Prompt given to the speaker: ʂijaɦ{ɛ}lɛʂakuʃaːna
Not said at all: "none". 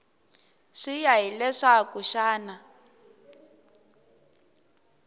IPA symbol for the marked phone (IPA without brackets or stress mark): i